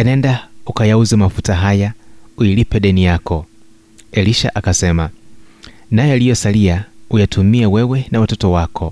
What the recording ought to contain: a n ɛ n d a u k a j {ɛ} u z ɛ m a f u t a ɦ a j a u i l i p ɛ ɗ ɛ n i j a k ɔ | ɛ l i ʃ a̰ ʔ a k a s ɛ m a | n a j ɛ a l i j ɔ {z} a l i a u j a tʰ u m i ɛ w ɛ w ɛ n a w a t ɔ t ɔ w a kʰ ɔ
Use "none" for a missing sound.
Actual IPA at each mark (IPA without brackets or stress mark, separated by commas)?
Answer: a, s